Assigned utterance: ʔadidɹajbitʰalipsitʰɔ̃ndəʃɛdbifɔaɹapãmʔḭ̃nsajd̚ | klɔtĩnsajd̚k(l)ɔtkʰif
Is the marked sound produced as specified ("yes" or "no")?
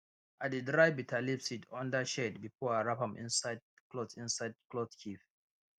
yes